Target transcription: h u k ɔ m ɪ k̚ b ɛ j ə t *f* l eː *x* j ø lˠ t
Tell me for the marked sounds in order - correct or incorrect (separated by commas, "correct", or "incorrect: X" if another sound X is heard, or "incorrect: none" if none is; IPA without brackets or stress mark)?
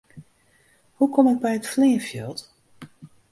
correct, incorrect: f